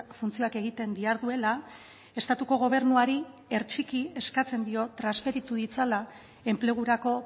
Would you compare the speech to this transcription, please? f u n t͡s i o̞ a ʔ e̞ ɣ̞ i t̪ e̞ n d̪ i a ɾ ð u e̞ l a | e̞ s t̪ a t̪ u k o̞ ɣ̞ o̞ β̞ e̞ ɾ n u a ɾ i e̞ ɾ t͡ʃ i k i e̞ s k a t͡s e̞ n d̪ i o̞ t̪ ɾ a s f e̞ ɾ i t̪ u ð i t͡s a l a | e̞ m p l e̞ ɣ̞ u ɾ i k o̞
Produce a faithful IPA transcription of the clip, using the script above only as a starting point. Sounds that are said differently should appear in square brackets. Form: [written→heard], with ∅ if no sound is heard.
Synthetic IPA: f u n t͡s i o̞ a [ʔ→k] e̞ ɣ̞ i t̪ e̞ n d̪ i a ɾ ð u e̞ l a | e̞ s t̪ a t̪ u k o̞ ɣ̞ o̞ β̞ e̞ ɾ n u a ɾ i e̞ ɾ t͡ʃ i k i e̞ s k a t͡s e̞ n d̪ i o̞ t̪ ɾ a s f e̞ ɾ i t̪ u ð i t͡s a l a | e̞ m p l e̞ ɣ̞ u ɾ [i→a] k o̞